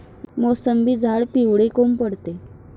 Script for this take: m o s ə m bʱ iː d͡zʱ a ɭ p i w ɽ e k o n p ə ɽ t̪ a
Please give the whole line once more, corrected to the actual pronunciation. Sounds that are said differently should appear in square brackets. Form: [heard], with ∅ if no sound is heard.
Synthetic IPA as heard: m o s ə m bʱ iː d͡zʱ a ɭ p i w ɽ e k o [m] p ə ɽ t̪ [e]